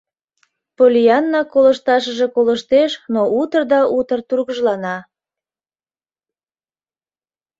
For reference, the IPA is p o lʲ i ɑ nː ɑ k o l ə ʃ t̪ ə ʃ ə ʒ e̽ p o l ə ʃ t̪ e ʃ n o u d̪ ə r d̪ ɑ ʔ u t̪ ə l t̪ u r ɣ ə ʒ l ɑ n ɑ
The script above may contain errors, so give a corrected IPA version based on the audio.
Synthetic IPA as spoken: p o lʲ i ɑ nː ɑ k o l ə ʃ t̪ ɑ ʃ ə ʒ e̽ k o l ə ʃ t̪ e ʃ n o u t̪ ə r d̪ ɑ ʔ u t̪ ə r t̪ u r ɣ ə ʒ l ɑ n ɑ